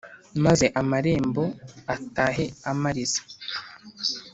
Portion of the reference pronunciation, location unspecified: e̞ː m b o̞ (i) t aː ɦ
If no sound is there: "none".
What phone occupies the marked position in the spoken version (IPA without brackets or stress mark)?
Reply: a